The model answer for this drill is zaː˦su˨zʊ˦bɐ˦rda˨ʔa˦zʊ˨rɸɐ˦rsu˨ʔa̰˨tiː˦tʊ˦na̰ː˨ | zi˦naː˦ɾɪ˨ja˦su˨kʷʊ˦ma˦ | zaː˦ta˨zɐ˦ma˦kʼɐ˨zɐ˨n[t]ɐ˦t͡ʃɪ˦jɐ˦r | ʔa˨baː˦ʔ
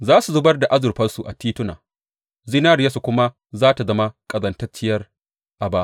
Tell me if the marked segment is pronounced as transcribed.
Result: yes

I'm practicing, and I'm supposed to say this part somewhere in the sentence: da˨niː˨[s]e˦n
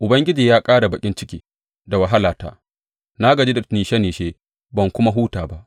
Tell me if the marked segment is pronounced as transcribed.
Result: no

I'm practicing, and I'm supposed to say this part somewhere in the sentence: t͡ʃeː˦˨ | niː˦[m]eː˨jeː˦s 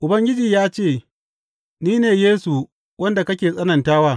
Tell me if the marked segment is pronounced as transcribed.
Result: no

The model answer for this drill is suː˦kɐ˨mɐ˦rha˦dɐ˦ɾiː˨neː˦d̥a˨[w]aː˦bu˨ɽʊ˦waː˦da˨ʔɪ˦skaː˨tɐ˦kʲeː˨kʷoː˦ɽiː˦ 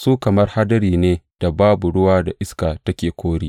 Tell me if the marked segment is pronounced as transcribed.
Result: no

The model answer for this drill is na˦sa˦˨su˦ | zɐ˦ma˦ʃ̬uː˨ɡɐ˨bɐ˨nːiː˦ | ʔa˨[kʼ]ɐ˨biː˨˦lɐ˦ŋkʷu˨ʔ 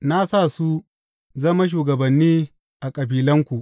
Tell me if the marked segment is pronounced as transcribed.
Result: yes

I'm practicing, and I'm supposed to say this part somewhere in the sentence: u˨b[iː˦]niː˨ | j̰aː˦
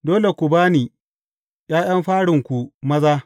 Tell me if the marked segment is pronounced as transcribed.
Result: no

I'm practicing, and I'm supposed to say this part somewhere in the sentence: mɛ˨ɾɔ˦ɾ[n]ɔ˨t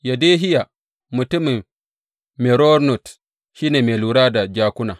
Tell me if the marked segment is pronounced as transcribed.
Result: yes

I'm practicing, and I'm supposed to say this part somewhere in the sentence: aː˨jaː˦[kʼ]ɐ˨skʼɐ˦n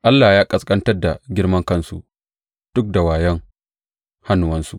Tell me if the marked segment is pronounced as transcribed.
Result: yes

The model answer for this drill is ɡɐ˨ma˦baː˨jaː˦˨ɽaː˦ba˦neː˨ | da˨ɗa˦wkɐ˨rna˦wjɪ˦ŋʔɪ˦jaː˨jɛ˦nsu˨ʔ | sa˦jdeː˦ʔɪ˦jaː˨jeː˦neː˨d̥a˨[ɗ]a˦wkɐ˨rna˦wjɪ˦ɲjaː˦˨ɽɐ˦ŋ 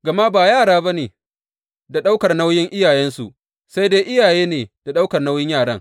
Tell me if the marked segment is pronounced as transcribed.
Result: yes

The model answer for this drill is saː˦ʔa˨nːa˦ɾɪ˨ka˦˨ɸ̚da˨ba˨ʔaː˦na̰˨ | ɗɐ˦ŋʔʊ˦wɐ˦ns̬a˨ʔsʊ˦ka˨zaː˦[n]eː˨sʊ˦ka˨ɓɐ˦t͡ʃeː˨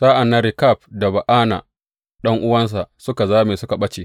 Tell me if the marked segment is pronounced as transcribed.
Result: no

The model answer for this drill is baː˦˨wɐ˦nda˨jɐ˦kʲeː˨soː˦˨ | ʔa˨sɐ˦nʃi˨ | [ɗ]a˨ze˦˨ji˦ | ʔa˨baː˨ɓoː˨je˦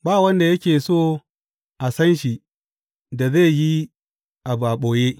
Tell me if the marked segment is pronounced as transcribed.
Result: no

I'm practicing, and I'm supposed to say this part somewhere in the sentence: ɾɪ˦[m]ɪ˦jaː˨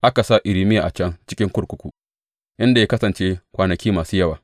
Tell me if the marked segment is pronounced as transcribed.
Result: yes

